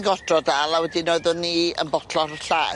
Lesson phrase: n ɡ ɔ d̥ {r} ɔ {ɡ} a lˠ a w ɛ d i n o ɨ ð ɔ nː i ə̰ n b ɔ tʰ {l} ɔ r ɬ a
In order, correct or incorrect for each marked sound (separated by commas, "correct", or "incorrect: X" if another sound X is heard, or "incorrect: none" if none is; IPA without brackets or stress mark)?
correct, incorrect: d, correct